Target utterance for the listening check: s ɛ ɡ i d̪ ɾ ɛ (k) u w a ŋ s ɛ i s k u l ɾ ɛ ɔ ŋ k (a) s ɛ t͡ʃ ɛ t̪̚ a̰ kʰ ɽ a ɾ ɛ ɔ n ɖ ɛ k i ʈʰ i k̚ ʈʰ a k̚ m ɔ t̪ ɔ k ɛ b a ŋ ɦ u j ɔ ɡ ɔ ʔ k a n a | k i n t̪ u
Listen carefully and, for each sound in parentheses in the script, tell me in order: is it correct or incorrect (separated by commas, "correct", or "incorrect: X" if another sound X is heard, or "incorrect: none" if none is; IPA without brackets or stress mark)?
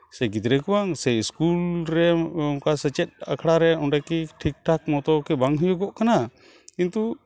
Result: correct, correct